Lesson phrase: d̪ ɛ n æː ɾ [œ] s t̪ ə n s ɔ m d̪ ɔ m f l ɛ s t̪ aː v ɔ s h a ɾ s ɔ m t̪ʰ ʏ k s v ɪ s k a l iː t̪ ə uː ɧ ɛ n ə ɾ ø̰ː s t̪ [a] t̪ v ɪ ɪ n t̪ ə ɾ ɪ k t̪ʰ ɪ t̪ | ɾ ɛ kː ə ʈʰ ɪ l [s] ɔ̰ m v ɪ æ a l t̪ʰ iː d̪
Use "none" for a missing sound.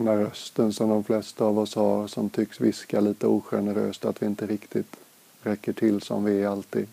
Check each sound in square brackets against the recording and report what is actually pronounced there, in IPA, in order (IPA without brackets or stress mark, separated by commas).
œ, a, s